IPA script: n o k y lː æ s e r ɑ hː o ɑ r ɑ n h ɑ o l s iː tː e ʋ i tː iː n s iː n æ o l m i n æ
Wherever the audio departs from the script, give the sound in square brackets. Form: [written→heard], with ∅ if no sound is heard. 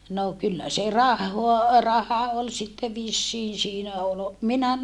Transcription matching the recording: n o k y lː æ s e r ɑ hː o ɑ r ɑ [n→∅] h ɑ o l s [iː→i] tː e ʋ i [tː→sː] iː n s iː n æ o l m i n æ

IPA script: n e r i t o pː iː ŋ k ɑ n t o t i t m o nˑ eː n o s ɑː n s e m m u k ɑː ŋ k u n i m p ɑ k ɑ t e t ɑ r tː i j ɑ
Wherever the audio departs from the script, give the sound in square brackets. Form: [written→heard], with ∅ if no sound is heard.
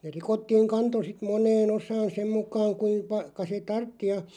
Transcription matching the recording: n e r i [t→k] o [pː→tː] iː ŋ k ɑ n t o [t→s] i t m o nˑ eː n o s ɑː n s e m m u k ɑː ŋ k u [n→∅] i m p ɑ k ɑ [t→s] e t ɑ r tː i j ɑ

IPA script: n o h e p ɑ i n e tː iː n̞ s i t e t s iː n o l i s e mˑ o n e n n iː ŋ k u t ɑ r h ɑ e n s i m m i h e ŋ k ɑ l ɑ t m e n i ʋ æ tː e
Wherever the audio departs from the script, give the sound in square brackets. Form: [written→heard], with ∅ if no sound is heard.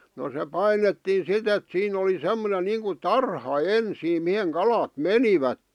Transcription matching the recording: n o [h→s] e p ɑ i n e tː iː n̞ s i t e t s iː n o l i s e mˑ o n e n n iː ŋ k u t ɑ r h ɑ e n s [i→iː] m m i h e ŋ k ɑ l ɑ t m e n i ʋ æ tː e

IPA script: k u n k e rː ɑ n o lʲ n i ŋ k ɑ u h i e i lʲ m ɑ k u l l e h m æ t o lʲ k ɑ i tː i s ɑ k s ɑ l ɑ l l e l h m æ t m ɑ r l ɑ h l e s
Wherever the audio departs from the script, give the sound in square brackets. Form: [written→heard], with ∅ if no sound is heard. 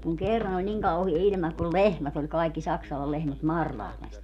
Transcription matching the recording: k u [n→ŋ] k e rː ɑ n o lʲ n i ŋ k ɑ u h i e i lʲ m ɑ k u l l e h m æ t o lʲ k ɑ i [tː→kː] i s ɑ k s ɑ l ɑ l l e [l→∅] h m æ t m ɑ r l ɑ h l e s

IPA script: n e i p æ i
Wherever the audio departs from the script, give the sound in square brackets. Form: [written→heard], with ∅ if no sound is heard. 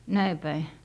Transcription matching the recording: n [e→æ] i p æ i

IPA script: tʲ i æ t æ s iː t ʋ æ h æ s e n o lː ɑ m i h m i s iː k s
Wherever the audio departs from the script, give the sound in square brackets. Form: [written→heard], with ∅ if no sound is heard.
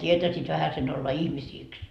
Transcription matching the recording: tʲ i [æ→e] t æ s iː t ʋ æ h æ s e n o lː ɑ [m→∅] i h m i s iː k s

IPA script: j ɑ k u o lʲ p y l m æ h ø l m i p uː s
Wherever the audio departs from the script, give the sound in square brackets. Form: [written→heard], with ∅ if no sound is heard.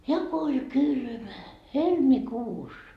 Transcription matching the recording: j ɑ k [u→o] o lʲ [p→k] y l m æ h [ø→e] l m i [p→k] uː s

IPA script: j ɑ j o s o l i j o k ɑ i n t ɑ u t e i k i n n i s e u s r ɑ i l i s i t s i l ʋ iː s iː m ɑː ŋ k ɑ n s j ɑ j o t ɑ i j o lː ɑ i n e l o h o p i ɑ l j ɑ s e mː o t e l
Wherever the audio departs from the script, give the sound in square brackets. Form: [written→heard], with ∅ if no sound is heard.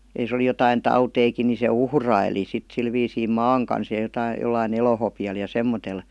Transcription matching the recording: j ɑ j o s o l i j o [k→t] ɑ i n t ɑ u t e i k i n n i s e u [s→h] r ɑ i l i s i t s i l ʋ iː s iː m ɑː ŋ k ɑ n s j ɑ j o t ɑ i j o lː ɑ i n e l o h o p i ɑ l j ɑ s e mː o t e l

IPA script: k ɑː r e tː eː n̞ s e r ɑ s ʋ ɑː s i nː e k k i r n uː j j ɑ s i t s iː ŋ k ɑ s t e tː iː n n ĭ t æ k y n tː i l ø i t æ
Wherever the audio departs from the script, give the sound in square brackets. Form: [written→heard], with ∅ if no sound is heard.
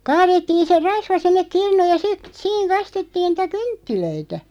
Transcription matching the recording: k ɑː r e tː [eː→iː] n̞ s e r ɑ s ʋ [ɑː→ɑ] s i nː e k k i r n uː j j ɑ s i t s iː ŋ k ɑ s t e tː iː n n ĭ t æ k y n tː i l ø i t æ

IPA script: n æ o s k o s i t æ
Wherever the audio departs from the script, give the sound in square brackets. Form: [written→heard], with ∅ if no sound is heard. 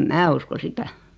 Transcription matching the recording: [n→m] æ [o→u] s k o s i t æ

